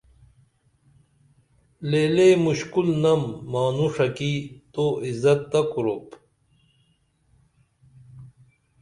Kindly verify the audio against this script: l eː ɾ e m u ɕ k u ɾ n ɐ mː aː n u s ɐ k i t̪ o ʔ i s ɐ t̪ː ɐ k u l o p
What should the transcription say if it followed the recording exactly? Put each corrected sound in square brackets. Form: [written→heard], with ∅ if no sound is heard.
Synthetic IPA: l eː [ɾ→l] e m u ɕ k u [ɾ→l] n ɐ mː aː n u [s→ʂ] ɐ k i t̪ o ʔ i [s→z] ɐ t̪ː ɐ k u [l→ɾ] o p